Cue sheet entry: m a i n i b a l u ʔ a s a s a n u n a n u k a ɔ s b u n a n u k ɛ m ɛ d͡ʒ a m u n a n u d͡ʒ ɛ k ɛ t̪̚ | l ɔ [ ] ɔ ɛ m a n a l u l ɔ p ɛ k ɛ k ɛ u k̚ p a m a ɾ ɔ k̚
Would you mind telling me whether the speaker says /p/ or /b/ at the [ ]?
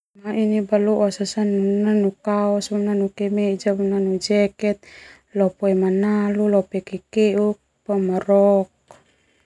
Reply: p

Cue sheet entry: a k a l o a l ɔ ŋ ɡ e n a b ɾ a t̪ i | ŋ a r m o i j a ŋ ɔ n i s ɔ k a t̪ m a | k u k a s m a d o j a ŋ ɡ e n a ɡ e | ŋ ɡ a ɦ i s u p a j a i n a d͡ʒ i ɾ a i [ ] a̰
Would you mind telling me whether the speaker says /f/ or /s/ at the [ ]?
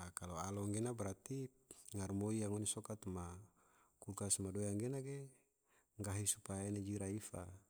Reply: f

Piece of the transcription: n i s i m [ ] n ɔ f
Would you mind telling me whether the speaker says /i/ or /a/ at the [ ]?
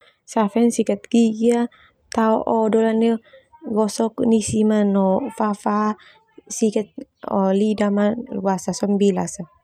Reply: a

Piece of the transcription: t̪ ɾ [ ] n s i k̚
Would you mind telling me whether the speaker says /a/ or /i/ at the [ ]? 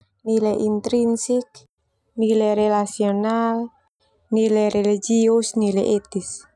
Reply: i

